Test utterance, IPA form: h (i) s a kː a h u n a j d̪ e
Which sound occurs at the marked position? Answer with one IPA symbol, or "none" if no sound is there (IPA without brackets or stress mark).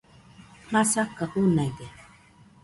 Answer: a